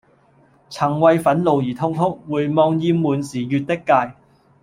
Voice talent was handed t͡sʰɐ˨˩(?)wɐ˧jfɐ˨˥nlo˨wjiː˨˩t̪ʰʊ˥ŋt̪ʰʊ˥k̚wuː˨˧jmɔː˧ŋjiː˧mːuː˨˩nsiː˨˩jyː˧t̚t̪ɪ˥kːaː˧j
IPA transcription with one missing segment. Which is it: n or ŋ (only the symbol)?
ŋ